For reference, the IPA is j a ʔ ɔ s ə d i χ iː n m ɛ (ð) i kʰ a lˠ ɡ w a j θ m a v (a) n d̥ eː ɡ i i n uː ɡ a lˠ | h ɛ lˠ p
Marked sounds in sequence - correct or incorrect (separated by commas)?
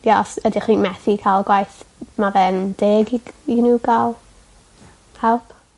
incorrect, incorrect